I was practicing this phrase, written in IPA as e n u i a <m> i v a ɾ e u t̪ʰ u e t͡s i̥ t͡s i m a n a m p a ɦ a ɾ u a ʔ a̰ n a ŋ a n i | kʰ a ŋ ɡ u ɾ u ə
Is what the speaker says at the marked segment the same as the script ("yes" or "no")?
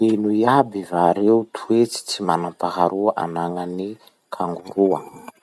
no